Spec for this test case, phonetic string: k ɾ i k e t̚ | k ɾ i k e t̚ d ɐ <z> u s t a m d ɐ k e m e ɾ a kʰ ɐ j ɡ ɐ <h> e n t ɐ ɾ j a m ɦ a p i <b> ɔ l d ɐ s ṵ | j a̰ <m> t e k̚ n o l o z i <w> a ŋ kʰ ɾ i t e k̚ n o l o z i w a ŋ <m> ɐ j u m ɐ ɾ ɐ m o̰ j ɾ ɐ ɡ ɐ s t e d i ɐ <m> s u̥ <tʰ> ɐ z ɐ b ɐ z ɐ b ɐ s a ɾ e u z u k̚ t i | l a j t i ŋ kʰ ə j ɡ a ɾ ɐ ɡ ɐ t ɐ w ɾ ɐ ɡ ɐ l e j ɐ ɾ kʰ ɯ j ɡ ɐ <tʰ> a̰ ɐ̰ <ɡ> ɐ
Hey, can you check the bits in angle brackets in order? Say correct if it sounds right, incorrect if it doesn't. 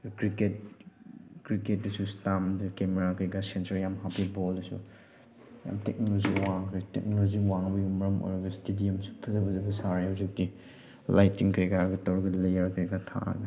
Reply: incorrect: s, incorrect: s, correct, correct, correct, incorrect: b, correct, incorrect: pʰ, correct, correct

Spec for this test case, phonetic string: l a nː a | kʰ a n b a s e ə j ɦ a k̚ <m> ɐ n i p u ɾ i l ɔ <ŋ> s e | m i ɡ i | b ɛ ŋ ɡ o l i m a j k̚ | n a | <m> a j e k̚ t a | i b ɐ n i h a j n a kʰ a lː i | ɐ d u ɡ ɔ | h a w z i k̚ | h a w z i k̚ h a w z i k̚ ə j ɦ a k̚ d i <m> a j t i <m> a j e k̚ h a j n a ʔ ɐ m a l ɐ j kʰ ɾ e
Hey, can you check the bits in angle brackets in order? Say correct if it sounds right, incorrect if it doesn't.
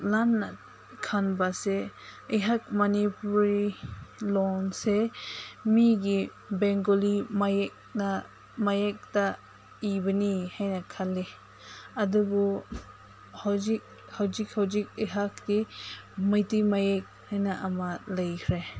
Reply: correct, incorrect: n, correct, correct, correct

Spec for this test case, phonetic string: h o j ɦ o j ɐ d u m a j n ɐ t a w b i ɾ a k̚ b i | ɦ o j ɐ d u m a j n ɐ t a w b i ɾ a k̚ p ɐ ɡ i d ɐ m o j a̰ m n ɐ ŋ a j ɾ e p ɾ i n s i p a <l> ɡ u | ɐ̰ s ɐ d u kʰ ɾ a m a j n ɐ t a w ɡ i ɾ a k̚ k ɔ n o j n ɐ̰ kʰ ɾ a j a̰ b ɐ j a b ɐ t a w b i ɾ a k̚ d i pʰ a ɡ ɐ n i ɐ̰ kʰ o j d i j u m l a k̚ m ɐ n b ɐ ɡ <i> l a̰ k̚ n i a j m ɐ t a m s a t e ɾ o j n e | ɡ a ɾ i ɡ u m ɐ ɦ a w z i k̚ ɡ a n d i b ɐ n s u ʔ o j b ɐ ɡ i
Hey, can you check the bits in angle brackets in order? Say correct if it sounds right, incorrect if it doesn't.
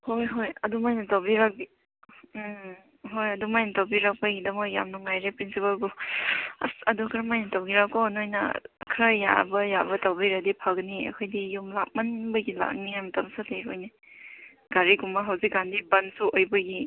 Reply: correct, correct

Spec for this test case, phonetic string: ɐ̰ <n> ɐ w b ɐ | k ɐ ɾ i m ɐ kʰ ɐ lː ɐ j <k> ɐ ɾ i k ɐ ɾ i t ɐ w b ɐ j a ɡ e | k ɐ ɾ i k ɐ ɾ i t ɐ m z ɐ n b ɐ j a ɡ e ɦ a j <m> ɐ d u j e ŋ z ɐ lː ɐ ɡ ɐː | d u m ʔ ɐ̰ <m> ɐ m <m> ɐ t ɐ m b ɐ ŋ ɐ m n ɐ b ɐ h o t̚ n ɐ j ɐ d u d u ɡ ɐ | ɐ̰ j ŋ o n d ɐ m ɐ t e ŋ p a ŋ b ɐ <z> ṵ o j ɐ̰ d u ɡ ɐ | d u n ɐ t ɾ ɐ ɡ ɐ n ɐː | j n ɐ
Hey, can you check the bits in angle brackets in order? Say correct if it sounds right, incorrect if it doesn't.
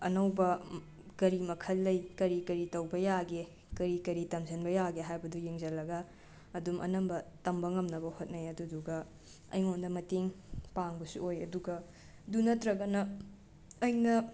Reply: correct, correct, incorrect: b, incorrect: n, incorrect: b, incorrect: s

